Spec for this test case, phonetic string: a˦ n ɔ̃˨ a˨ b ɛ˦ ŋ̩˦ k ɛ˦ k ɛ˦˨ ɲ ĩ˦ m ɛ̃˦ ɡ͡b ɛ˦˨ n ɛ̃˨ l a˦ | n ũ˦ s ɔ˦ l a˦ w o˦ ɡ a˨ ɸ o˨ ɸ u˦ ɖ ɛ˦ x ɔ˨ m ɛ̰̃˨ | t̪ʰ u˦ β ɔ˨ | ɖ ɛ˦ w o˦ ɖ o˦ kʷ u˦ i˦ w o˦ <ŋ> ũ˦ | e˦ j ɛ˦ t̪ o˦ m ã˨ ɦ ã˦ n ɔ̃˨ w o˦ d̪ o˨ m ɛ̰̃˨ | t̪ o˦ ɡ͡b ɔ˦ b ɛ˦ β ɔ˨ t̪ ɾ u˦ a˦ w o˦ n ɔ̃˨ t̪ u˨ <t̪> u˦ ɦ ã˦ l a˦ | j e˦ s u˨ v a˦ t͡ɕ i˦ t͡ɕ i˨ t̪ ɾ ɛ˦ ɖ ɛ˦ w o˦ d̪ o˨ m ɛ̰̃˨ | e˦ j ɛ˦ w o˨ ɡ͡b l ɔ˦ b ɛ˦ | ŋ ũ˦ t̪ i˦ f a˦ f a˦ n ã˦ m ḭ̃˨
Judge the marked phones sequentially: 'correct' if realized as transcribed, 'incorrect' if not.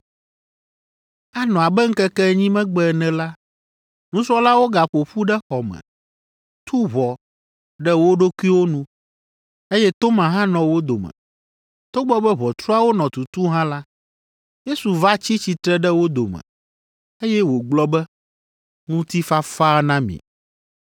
incorrect, correct

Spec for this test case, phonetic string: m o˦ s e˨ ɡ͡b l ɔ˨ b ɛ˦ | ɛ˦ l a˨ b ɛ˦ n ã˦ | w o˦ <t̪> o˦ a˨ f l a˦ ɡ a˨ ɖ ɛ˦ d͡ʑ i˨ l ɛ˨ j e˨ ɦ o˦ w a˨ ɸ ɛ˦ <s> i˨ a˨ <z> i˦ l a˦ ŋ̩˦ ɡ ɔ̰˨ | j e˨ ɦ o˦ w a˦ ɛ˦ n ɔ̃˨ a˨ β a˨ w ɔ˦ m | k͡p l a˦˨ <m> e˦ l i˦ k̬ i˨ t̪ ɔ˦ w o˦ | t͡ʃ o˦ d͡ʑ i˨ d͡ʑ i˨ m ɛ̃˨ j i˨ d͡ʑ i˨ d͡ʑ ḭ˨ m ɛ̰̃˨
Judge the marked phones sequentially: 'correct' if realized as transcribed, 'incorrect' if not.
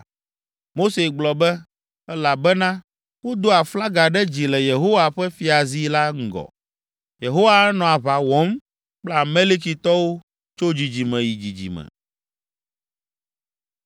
incorrect, incorrect, correct, correct

